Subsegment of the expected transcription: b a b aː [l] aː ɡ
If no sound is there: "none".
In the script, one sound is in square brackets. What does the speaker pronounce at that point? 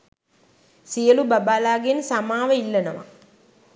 l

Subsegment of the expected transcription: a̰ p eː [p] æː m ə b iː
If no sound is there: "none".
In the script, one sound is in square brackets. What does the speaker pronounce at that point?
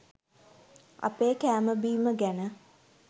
k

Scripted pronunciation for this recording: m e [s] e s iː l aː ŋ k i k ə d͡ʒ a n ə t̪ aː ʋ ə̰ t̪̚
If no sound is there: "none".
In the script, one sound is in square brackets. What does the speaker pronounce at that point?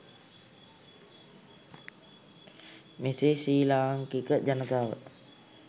s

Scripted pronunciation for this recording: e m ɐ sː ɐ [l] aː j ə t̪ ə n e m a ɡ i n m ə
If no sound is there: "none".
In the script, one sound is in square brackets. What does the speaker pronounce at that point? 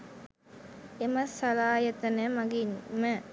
l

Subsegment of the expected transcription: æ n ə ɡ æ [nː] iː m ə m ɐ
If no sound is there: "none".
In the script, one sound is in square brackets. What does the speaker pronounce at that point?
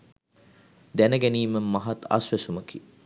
n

